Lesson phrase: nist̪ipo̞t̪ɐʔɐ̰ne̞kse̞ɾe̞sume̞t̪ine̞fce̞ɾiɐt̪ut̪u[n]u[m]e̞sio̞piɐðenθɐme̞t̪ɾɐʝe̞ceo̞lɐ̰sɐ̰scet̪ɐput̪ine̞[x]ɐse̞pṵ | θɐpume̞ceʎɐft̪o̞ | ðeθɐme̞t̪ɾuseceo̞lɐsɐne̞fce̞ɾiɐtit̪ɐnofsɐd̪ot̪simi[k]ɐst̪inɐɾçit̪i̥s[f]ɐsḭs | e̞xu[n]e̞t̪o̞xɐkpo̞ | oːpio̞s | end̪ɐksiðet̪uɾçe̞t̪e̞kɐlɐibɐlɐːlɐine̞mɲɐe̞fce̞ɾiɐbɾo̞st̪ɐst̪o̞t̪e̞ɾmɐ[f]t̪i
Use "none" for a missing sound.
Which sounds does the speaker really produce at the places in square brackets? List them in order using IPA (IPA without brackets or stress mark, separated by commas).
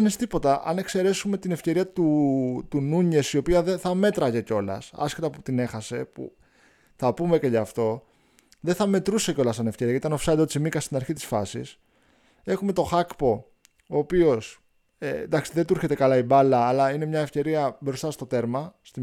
n, ɲ, x, k, f, m, s